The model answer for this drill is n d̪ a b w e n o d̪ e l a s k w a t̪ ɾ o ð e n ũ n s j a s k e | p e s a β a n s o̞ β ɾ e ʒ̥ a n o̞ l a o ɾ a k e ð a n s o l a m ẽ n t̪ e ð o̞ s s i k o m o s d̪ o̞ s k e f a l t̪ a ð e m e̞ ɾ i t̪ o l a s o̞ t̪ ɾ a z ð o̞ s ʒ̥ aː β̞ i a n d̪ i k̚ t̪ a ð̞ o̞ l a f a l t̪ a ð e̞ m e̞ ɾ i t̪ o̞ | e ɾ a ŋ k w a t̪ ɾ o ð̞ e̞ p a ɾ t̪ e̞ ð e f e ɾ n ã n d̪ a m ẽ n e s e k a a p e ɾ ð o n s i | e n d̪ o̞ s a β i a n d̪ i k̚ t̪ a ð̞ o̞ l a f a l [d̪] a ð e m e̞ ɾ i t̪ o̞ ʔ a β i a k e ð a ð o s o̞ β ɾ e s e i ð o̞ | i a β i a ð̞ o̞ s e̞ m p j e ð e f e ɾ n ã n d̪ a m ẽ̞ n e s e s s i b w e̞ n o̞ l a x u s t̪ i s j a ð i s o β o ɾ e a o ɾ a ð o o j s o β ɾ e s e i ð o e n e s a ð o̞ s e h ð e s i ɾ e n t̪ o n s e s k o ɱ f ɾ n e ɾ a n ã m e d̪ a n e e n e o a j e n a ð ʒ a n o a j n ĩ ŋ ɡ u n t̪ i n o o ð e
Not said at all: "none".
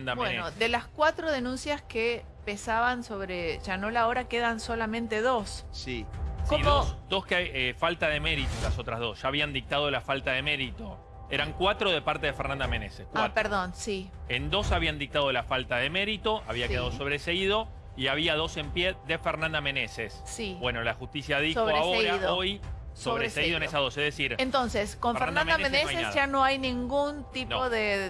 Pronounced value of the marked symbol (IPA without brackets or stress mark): t̪